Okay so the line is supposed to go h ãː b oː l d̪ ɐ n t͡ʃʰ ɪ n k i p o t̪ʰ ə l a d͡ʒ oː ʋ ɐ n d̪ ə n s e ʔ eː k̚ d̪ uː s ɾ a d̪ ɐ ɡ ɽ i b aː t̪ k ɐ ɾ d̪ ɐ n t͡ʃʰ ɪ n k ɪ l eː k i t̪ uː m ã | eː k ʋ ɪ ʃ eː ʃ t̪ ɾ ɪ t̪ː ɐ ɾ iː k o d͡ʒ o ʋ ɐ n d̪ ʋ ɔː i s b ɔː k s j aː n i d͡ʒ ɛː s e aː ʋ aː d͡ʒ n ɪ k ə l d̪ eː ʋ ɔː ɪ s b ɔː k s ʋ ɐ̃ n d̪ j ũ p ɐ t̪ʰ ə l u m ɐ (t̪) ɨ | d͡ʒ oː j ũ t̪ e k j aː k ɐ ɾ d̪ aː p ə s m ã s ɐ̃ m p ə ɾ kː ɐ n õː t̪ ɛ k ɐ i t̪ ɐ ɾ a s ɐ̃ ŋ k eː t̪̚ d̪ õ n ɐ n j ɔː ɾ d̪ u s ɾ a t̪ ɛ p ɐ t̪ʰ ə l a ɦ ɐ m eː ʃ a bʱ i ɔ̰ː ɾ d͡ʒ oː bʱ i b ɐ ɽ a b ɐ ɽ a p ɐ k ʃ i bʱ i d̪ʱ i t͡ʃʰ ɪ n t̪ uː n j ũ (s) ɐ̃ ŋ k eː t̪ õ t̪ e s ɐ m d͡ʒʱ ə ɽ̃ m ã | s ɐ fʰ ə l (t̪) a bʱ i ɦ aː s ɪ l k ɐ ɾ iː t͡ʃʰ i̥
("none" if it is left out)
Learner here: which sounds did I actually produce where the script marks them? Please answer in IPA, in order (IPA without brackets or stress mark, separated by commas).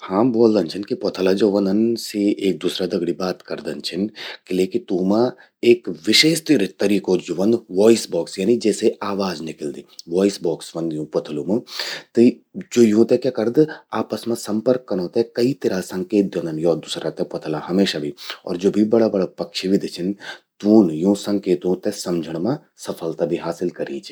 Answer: t̪, s, t̪